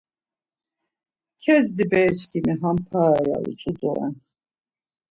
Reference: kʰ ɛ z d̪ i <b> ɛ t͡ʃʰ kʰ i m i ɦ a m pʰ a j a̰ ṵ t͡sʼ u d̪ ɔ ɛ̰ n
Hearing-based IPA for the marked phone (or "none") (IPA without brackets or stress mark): b